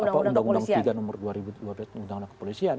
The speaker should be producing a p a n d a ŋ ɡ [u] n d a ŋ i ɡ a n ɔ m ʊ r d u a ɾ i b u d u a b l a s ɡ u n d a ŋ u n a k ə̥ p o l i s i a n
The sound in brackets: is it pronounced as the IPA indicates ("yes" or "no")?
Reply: yes